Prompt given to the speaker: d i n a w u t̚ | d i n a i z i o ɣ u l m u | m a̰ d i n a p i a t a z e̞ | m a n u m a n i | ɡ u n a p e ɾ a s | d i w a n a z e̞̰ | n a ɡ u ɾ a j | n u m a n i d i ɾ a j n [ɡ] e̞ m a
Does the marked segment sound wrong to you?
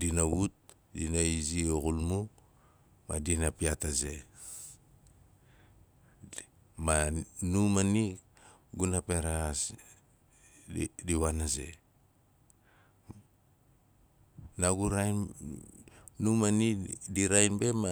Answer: yes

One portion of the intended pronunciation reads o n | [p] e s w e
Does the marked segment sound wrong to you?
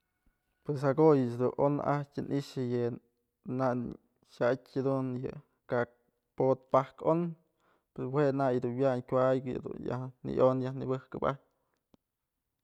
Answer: no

